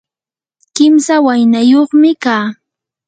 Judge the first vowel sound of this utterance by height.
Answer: high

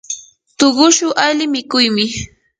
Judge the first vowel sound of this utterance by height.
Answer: mid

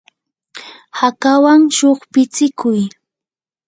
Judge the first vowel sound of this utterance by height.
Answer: low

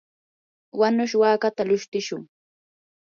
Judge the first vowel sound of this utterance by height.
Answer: low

